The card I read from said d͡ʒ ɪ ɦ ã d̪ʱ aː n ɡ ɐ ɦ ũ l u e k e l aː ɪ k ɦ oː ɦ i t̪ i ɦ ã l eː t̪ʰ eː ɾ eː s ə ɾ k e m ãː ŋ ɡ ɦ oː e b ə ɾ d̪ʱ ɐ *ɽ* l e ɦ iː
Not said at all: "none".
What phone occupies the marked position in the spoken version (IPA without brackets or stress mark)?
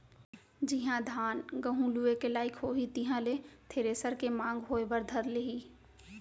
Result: ɾ